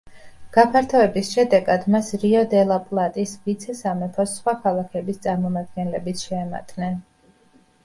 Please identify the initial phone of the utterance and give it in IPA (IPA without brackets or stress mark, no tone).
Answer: ɡ̥